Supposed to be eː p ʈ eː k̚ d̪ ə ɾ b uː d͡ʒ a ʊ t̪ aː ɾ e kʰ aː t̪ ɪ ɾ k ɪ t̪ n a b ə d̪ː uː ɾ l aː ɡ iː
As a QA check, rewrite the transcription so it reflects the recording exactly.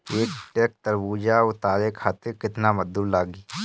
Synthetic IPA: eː k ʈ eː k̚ t̪ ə ɾ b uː d͡ʒ a ʊ t̪ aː ɾ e kʰ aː t̪ ɪ ɾ k ɪ t̪ n a m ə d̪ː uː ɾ l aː ɡ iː